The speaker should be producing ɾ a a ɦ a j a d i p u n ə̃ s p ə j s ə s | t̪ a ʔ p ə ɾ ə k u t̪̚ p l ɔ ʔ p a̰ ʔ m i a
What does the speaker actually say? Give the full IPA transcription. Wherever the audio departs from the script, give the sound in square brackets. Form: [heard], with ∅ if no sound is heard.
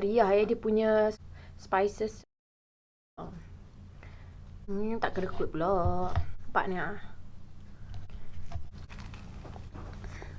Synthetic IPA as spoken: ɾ [i] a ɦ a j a d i p u [ɲ] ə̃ s p [a] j s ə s | t̪ a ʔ [k] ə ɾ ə k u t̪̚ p l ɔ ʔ p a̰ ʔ [n] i a